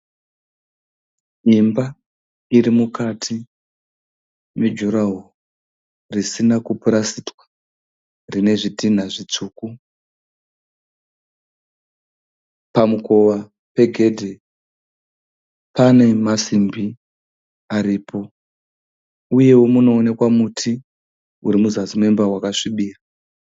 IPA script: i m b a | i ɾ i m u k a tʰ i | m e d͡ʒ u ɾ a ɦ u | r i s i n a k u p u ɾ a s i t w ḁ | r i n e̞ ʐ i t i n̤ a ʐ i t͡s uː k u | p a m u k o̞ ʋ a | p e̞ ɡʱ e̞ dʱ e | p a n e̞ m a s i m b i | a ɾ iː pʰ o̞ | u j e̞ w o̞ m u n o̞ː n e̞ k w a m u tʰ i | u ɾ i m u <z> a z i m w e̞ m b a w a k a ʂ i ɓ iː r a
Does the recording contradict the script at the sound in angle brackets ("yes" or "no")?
no